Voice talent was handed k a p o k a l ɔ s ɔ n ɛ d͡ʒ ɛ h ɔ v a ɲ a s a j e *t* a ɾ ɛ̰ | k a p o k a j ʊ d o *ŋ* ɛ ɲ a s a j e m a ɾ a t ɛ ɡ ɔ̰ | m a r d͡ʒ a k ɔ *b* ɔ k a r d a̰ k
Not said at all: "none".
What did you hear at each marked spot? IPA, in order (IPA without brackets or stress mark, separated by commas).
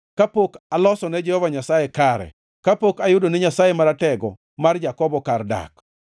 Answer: k, n, b